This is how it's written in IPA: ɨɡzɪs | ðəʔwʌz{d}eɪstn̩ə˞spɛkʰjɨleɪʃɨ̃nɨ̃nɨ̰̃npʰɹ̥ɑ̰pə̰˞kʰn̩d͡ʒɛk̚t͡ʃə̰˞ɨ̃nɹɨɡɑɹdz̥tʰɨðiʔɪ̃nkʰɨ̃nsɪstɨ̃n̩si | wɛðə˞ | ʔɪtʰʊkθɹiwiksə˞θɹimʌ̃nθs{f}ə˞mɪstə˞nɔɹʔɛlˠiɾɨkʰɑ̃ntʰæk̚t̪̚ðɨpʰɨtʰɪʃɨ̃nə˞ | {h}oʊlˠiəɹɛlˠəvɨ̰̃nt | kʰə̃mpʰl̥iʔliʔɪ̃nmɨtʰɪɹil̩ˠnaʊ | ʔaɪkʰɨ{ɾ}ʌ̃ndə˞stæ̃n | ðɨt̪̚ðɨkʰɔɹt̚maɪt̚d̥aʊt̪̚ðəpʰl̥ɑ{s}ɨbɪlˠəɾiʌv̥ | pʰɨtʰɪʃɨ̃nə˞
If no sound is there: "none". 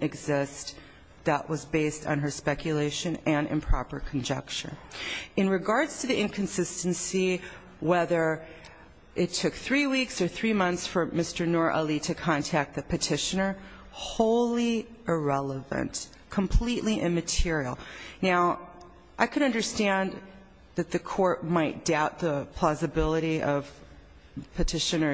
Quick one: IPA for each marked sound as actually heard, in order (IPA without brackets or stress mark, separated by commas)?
b, f, h, ɾ, z